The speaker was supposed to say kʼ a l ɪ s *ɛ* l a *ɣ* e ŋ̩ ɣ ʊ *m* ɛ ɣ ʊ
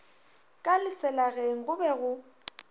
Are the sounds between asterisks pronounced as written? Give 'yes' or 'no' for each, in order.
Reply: yes, yes, no

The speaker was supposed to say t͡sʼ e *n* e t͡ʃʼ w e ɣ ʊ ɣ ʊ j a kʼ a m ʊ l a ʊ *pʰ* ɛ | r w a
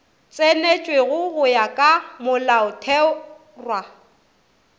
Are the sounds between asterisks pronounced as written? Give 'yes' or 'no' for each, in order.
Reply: yes, no

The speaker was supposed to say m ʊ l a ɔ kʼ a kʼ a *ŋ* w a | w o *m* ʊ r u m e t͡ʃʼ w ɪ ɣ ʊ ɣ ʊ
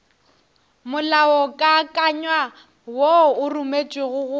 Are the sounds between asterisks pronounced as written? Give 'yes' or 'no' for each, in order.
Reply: no, no

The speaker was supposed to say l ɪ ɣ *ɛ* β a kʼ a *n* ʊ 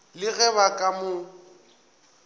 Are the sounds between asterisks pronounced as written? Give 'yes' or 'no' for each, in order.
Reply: yes, no

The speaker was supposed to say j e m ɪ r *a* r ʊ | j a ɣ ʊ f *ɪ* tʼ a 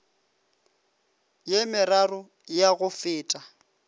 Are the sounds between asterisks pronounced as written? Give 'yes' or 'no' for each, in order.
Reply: yes, no

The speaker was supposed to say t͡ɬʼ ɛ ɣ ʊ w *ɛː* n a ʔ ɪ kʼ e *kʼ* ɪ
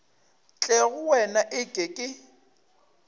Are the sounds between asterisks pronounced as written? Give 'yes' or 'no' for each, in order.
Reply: no, yes

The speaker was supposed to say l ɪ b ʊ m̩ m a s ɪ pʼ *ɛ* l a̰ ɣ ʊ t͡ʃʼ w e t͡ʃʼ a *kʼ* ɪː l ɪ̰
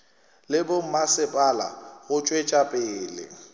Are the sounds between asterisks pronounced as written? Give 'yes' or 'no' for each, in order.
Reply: no, no

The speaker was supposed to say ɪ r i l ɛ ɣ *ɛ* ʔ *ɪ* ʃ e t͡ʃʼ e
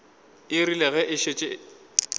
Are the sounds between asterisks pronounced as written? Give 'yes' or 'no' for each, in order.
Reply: yes, yes

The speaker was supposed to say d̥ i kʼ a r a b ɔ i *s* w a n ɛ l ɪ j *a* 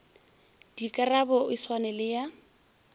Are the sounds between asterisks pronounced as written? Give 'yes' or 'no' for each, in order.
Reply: yes, yes

